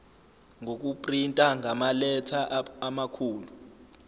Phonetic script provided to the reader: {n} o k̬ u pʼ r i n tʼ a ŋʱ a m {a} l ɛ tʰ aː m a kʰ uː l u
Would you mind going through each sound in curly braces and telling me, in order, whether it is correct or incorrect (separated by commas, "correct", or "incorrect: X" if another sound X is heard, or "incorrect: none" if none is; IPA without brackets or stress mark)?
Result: incorrect: ŋ, correct